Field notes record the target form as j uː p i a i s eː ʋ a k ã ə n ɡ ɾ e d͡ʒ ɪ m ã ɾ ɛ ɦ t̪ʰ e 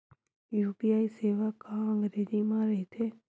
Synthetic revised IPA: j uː p i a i s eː ʋ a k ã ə ŋ ɡ ɾ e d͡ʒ i m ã ɾ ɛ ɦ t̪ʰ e